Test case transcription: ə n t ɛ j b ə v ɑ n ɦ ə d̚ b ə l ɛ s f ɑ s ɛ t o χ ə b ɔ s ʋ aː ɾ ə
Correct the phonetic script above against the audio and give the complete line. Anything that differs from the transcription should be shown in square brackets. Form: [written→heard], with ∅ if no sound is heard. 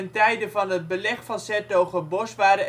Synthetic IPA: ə n t ɛ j [b→d] ə v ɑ n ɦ ə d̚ b ə l ɛ [s→χ] f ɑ s ɛ t o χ ə b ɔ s ʋ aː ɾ ə